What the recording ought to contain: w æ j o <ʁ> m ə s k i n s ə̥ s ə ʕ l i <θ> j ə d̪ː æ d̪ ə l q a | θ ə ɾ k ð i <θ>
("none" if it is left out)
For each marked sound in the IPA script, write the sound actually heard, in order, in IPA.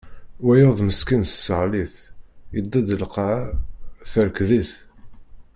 ð, θ, θ

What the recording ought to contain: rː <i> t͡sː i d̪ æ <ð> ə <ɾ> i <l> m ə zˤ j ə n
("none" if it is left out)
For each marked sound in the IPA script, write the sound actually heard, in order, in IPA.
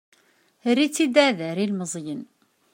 i, ð, ɾ, l

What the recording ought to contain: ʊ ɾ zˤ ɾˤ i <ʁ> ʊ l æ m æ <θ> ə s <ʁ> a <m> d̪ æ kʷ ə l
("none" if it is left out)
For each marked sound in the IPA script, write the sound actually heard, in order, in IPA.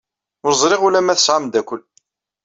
ʁ, θ, ʕ, m

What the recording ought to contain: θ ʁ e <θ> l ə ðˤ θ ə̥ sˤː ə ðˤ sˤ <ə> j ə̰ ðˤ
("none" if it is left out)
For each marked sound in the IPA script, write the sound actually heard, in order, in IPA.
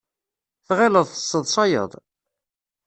none, ɑ

